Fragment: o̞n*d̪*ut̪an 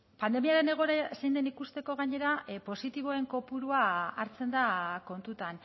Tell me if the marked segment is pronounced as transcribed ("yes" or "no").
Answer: no